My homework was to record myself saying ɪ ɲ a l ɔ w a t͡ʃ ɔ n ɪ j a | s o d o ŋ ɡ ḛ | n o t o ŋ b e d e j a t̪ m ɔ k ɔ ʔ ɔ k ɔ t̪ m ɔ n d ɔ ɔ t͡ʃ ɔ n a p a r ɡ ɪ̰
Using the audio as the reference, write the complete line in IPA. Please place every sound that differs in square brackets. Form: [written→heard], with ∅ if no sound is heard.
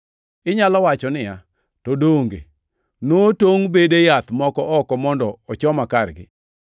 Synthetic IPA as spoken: ɪ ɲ a l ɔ w a t͡ʃ ɔ n ɪ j a | [s→t] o d o ŋ ɡ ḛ | n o t o ŋ b e d e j a t̪ m ɔ k ɔ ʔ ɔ k ɔ [t̪→∅] m ɔ n d ɔ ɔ t͡ʃ ɔ [n→m] a [p→k] a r ɡ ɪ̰